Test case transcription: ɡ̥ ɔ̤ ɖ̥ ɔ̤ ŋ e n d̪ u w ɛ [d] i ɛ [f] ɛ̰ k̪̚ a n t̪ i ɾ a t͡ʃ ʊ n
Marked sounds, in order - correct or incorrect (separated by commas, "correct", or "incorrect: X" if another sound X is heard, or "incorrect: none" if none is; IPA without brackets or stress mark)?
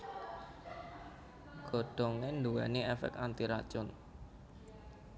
incorrect: n, correct